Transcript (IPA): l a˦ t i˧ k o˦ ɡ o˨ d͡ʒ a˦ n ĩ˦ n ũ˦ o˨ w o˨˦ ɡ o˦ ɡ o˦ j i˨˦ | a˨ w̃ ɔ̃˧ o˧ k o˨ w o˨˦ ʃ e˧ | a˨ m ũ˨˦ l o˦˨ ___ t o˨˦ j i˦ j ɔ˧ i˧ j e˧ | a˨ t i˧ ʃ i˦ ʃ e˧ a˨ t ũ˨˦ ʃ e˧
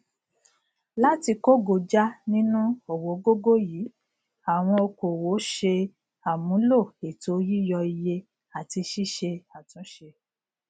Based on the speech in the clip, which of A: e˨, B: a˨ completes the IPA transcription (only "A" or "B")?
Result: A